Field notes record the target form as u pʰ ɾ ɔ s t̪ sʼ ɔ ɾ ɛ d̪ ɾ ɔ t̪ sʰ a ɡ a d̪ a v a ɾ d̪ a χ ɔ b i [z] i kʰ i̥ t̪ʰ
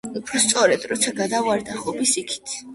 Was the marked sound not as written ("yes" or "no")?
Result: yes